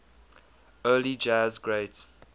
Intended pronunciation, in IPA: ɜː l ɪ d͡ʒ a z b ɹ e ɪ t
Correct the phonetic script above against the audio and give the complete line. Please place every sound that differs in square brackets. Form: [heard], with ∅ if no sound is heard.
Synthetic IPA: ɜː l [i] d͡ʒ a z [ɡ] ɹ e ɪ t